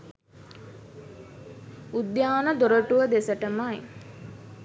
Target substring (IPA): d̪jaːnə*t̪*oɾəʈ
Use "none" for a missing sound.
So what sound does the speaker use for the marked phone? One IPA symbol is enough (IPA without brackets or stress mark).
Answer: d̪